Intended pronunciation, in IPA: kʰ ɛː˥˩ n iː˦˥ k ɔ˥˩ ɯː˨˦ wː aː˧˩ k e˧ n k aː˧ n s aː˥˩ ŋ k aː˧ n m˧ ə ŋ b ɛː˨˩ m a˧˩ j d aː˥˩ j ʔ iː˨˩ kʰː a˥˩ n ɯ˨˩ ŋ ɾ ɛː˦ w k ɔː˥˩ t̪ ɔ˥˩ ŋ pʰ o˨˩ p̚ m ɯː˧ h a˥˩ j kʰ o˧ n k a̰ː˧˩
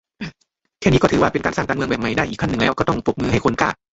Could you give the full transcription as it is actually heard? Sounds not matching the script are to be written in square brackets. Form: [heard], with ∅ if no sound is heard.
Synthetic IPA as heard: kʰ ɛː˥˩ n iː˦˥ k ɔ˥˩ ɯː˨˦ [w] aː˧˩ [p] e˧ n k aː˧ n s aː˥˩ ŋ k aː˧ n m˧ ə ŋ b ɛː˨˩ m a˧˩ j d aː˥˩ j ʔ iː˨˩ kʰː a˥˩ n ɯ˨˩ ŋ [l] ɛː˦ w k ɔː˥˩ t̪ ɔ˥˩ ŋ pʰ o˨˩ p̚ m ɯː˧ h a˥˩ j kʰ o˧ n k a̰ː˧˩

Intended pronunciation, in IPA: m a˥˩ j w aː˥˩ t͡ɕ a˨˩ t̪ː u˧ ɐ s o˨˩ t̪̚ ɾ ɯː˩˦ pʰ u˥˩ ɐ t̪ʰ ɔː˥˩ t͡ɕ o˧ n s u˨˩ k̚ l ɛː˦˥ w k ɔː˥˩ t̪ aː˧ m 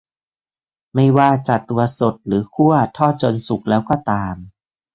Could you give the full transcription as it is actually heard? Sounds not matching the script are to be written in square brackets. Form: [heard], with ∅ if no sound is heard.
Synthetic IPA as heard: m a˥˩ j w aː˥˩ t͡ɕ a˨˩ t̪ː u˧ ɐ s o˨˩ t̪̚ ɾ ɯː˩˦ [kʰ] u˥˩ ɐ t̪ʰ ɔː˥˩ t͡ɕ o˧ n s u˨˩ k̚ l ɛː˦˥ w k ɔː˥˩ t̪ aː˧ m

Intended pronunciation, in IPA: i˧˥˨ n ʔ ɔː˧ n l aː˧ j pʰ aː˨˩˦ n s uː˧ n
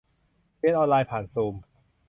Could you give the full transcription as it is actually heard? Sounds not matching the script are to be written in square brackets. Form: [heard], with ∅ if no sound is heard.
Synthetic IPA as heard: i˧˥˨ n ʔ ɔː˧ n l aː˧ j pʰ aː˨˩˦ n s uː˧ [m]

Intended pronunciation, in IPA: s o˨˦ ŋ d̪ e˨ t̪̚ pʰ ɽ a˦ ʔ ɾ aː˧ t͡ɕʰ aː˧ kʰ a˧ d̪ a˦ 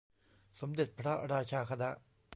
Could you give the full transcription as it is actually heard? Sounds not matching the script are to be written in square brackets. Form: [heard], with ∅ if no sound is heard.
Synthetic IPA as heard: s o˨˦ [m] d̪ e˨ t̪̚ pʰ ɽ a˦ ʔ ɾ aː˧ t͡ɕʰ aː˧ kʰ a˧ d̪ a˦

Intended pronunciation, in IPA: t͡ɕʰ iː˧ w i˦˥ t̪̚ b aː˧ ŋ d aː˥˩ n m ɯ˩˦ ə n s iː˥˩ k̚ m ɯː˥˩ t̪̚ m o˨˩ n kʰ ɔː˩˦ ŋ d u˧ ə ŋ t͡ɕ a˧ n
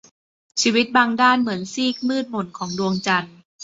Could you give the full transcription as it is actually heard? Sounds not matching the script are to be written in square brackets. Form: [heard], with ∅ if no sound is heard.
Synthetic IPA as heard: t͡ɕʰ iː˧ w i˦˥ t̪̚ b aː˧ ŋ d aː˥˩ n m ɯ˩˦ ə n s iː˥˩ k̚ m ɯː˥˩ t̪̚ m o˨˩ n kʰ ɔː˩˦ ŋ d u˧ ə ŋ t͡ɕ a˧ n

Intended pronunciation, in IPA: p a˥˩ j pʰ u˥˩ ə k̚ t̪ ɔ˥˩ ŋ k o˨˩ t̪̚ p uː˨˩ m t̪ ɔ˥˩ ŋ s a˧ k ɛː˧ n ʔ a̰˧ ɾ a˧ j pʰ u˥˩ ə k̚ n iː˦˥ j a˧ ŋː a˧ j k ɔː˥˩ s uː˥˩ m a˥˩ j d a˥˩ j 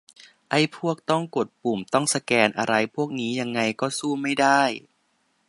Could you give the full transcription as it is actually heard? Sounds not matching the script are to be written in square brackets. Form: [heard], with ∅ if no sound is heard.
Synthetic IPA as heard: [ʔ] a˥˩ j pʰ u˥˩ ə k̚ t̪ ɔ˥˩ ŋ k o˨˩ t̪̚ p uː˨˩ m t̪ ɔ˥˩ ŋ s a˧ k ɛː˧ n ʔ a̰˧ ɾ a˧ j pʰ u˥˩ ə k̚ n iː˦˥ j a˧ ŋː a˧ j k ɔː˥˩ s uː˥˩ m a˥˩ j d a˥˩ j

